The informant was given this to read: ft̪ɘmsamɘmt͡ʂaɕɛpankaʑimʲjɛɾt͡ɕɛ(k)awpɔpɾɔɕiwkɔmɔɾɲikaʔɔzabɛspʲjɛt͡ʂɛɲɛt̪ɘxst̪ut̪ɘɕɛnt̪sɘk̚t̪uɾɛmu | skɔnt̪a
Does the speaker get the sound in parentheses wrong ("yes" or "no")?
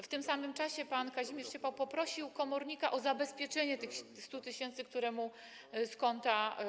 yes